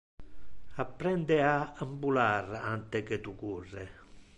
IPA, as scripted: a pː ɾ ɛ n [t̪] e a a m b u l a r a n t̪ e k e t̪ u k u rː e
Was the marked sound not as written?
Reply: yes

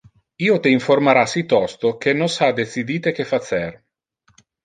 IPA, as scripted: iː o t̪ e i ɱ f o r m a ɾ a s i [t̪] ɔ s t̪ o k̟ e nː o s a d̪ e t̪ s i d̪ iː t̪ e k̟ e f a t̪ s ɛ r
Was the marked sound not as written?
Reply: no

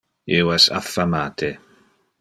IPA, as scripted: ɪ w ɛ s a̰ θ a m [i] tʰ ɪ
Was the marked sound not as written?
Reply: yes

